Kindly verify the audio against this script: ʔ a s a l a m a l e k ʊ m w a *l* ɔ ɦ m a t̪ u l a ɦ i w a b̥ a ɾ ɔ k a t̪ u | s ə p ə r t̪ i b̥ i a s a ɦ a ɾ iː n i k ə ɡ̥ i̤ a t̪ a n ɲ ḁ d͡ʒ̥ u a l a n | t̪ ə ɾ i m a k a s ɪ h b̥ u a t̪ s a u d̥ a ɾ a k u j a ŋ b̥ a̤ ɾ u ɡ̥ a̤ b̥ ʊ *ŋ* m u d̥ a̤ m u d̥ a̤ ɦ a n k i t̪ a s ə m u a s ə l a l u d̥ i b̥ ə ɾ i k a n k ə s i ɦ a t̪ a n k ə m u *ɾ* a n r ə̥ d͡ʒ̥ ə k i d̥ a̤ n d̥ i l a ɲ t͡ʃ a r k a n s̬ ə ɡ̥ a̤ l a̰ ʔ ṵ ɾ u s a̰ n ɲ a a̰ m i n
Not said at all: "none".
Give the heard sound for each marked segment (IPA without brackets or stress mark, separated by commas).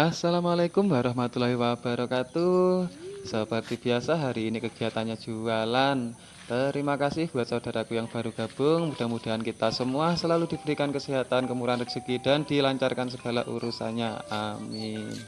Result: ɾ, ŋ, ɾ